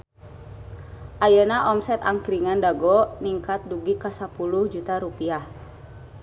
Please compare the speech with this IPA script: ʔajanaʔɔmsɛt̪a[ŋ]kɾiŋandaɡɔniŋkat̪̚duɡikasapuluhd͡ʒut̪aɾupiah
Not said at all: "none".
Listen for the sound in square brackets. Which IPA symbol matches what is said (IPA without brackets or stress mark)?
ŋ